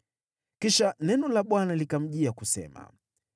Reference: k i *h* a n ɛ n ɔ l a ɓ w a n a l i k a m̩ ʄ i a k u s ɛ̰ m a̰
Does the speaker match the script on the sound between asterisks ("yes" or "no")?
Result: no